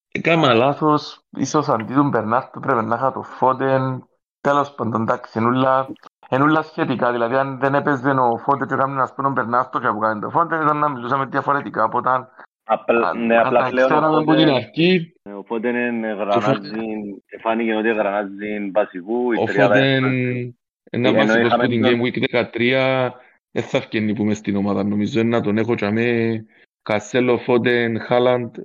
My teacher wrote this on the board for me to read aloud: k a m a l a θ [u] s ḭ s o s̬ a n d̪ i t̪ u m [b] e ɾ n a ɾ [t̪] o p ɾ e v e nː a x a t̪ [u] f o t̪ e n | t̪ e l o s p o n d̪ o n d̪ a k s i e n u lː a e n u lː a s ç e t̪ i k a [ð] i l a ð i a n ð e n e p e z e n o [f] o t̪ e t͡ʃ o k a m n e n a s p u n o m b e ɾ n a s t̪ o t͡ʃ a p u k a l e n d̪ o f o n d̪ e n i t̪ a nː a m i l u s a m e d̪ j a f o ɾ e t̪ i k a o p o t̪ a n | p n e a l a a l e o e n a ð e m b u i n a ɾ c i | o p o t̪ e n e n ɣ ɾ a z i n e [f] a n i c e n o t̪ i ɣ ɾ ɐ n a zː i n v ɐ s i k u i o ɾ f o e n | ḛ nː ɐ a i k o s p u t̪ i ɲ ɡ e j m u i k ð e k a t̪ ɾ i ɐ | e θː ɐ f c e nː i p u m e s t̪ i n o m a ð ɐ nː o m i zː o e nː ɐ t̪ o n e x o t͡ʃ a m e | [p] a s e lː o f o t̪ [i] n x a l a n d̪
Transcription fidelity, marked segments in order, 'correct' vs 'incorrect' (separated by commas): incorrect, correct, correct, incorrect, correct, correct, correct, incorrect, incorrect